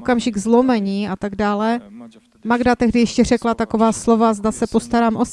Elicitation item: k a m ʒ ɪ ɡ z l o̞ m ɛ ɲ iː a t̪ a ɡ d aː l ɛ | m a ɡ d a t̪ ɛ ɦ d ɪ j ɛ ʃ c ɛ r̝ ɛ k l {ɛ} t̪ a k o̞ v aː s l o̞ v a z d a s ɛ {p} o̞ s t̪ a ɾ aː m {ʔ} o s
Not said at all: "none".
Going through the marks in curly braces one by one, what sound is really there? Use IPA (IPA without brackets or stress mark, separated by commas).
a, p, ʔ